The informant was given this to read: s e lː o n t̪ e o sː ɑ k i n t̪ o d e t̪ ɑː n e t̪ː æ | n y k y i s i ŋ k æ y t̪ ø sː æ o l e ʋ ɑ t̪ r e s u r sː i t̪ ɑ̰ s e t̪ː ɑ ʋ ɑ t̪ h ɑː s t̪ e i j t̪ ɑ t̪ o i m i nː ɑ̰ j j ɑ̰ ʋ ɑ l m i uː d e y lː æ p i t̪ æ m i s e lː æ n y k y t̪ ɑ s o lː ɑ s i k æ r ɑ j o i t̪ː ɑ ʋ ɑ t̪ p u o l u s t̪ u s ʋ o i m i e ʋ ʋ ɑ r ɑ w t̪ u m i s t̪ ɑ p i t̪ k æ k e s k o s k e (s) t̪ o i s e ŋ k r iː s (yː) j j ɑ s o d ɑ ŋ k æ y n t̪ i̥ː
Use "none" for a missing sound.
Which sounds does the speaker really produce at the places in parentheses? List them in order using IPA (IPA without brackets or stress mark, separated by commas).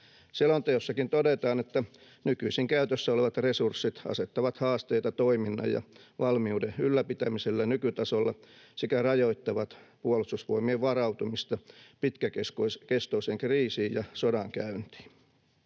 s, iː